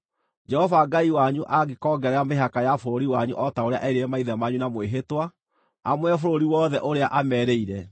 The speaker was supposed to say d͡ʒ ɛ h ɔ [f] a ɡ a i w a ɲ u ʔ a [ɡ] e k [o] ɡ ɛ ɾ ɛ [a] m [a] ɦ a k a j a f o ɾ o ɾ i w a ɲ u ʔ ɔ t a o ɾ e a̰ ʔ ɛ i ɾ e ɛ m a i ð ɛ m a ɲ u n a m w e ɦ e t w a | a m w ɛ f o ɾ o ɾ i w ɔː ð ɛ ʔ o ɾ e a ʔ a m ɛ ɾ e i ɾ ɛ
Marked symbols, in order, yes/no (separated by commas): no, yes, no, yes, no